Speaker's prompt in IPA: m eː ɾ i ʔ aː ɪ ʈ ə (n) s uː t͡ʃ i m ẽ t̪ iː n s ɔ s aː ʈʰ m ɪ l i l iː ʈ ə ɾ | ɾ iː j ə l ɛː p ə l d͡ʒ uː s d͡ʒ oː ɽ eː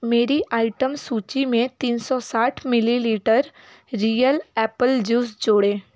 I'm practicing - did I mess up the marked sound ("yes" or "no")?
yes